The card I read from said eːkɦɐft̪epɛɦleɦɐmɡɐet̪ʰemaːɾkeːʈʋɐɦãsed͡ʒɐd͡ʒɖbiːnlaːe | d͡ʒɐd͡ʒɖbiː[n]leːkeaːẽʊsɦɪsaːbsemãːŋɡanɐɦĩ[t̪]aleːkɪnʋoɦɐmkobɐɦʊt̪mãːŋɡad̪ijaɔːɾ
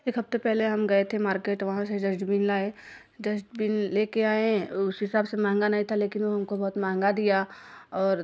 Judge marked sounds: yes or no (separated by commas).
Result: yes, no